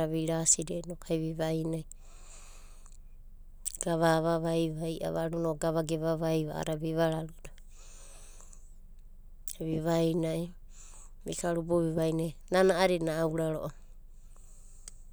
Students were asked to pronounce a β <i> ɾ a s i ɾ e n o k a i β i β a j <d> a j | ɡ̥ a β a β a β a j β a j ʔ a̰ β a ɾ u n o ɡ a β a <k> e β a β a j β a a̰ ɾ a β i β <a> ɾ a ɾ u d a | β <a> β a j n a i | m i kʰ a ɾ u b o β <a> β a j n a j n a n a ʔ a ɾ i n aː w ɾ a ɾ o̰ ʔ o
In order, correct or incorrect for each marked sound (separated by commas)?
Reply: correct, incorrect, incorrect, correct, incorrect, incorrect